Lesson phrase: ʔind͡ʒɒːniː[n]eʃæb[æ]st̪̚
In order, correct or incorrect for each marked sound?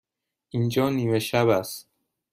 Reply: incorrect, correct

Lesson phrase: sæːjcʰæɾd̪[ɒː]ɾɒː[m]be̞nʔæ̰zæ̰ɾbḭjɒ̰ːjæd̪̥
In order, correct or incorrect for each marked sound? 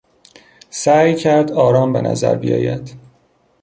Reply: correct, correct

